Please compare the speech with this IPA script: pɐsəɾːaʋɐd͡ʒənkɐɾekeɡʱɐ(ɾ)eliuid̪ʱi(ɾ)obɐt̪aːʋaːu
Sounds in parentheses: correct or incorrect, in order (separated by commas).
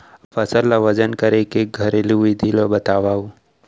correct, incorrect